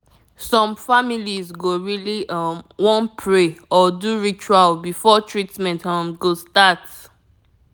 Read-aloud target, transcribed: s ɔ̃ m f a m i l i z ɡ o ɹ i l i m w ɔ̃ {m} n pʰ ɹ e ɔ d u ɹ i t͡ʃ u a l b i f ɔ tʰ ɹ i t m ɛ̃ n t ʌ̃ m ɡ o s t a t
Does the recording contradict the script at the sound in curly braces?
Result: yes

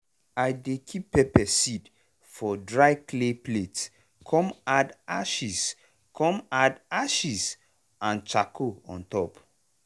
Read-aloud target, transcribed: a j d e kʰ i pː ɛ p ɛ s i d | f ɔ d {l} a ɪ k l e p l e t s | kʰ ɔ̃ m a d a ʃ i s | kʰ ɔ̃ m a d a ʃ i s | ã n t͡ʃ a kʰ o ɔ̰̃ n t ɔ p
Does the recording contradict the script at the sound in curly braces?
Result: yes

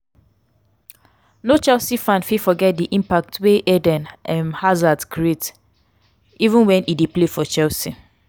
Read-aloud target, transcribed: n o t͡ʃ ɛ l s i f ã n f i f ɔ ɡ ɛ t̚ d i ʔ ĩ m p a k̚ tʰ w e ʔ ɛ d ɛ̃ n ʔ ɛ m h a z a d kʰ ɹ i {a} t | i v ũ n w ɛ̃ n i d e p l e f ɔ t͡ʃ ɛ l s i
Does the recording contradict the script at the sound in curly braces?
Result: yes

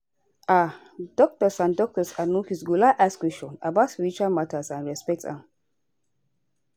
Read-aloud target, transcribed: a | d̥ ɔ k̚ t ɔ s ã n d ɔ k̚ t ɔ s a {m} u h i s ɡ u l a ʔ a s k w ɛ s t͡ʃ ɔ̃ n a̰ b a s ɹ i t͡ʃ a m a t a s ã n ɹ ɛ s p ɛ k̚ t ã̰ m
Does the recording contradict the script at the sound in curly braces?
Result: yes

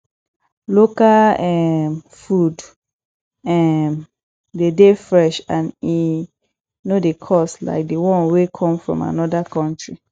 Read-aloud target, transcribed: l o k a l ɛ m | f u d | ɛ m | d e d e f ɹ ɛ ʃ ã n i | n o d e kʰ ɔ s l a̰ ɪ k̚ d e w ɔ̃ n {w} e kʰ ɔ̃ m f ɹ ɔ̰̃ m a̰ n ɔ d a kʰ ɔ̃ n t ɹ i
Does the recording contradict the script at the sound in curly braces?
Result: no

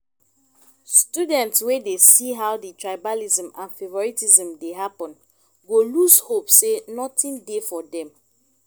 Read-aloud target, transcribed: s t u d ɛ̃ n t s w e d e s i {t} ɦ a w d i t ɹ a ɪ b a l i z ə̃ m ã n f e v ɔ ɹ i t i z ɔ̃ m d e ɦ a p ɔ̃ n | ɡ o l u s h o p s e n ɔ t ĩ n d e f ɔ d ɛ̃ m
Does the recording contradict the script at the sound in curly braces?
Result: yes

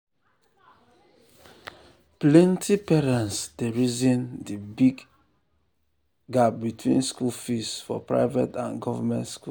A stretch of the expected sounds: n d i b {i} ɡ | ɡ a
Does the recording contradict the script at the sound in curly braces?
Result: no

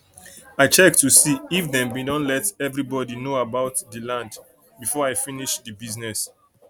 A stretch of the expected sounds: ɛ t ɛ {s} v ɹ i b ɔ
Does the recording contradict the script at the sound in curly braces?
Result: yes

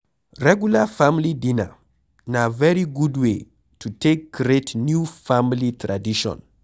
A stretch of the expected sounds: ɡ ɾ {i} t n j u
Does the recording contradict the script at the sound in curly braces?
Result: yes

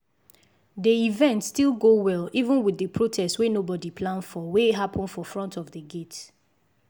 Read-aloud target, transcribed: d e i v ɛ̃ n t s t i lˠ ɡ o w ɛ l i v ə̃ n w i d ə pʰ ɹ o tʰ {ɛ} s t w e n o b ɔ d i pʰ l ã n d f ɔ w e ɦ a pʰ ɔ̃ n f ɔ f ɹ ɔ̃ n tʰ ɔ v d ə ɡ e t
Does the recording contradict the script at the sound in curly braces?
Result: no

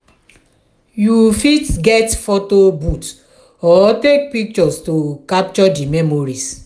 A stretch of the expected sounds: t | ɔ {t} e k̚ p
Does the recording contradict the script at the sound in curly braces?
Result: no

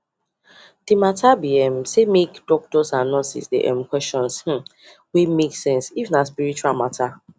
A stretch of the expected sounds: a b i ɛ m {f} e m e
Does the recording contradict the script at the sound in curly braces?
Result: yes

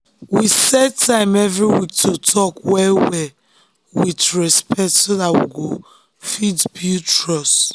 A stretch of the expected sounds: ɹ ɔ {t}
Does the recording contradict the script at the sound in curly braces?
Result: yes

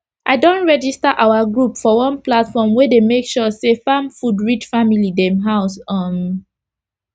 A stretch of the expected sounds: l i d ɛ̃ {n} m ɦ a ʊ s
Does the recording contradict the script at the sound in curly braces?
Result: yes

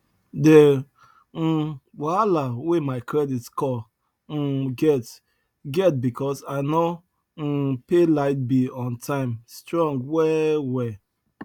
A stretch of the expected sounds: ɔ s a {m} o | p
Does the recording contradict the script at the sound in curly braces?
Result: yes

